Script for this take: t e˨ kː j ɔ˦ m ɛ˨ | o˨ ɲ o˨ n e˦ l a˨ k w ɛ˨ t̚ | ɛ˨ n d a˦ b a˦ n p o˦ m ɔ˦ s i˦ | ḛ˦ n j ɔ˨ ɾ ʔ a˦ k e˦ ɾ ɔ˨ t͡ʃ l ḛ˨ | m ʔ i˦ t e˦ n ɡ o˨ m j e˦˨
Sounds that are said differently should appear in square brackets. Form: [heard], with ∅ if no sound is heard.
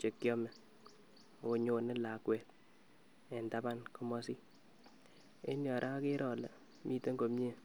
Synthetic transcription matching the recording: [t͡ʃ] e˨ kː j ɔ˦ m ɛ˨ | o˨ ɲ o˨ n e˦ l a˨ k w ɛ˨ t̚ | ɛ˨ n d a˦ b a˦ n [k] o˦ m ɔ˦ s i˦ | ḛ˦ n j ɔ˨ ɾ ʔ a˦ k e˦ ɾ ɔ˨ [∅] l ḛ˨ | m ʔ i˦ t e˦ [ŋ] ɡ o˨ m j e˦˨